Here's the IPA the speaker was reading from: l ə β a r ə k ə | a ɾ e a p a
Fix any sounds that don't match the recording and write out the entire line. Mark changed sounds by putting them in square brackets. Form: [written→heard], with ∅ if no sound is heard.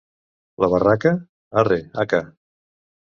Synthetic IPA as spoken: l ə β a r [ə→a] k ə | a [ɾ→r] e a [p→k] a